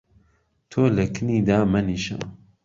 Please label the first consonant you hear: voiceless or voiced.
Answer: voiceless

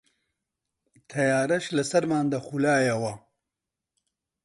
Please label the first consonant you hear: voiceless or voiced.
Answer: voiceless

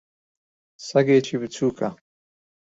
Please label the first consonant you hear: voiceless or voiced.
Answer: voiceless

